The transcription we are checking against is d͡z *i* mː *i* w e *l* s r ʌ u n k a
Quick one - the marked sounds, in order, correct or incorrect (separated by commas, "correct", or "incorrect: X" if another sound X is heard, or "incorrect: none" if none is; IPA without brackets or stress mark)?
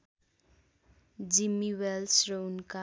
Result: correct, correct, correct